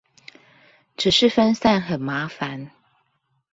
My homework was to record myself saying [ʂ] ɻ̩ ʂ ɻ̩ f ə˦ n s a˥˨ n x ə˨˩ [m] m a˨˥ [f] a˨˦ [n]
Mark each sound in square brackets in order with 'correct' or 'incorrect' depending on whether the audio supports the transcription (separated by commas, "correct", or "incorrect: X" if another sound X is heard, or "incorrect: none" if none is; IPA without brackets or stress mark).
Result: incorrect: ʈ͡ʂ, incorrect: n, correct, correct